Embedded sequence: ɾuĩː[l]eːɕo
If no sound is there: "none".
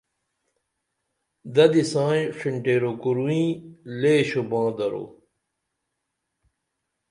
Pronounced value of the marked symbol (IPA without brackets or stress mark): l